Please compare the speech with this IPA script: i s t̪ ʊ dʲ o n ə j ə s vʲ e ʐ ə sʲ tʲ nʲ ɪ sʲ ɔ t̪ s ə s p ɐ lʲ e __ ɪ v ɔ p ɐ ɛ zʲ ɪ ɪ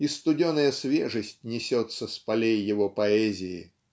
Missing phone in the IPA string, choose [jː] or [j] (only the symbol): jː